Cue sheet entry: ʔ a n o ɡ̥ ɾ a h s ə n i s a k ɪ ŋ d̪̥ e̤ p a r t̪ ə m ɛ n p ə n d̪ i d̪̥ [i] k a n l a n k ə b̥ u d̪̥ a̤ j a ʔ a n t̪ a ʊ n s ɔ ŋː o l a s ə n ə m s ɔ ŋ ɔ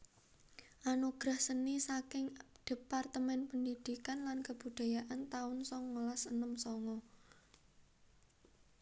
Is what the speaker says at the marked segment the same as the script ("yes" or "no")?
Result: yes